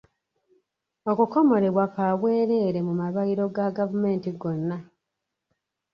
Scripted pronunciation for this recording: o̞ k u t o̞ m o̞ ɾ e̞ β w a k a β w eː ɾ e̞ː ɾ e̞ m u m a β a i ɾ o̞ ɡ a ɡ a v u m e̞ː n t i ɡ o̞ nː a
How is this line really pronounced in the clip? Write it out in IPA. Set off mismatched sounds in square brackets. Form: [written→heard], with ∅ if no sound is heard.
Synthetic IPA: o̞ k u [t→k] o̞ m o̞ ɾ e̞ β w a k a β w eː ɾ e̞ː ɾ e̞ m u m a β a i ɾ o̞ ɡ a ɡ a v u m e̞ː n t i ɡ o̞ nː a